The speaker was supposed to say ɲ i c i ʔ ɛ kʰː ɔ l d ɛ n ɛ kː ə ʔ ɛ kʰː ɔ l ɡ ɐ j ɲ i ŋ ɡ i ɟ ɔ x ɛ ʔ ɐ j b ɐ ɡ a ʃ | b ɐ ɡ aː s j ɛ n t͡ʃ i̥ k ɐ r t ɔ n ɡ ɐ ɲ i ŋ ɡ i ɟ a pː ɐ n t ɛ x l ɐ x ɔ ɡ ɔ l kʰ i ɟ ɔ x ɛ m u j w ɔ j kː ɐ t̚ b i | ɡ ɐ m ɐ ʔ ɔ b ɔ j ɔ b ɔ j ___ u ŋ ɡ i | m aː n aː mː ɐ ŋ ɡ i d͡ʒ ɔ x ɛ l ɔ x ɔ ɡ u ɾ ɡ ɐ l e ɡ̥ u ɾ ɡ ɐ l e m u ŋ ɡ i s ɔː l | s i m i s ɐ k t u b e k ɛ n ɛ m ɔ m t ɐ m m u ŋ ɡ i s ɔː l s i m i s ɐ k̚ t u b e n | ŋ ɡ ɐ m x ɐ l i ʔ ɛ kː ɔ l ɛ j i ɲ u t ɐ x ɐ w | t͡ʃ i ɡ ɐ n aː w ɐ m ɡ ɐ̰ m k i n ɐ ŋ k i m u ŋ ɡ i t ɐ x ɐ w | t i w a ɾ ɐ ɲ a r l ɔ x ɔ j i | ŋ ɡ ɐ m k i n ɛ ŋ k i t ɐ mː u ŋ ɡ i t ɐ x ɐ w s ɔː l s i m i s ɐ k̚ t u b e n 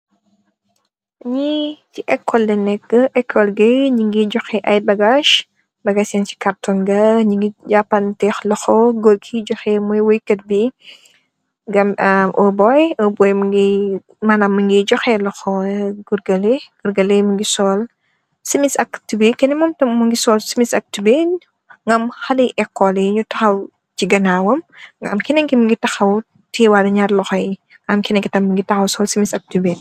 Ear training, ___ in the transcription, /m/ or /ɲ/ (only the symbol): m